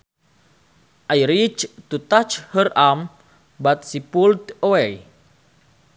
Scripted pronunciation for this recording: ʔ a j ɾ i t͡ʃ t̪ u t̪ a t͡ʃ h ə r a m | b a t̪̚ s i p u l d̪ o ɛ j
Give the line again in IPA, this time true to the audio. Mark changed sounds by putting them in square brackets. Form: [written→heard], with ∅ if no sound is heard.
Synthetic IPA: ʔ a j ɾ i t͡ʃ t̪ u t̪ a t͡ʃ h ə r a m | b a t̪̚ s i p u l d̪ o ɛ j